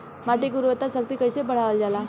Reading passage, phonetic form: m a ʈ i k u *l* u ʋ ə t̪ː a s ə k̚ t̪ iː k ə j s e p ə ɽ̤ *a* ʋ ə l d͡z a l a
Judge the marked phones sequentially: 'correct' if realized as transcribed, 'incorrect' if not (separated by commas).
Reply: incorrect, correct